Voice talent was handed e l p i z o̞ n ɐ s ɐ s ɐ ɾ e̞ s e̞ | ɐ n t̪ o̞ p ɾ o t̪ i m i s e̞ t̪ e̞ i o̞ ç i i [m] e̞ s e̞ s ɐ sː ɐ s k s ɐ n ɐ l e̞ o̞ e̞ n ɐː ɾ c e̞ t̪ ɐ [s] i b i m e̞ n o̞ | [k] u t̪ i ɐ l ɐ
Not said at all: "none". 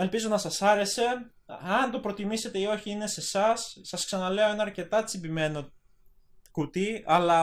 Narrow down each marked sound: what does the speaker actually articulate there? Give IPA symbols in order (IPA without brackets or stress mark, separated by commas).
n, t͡s, k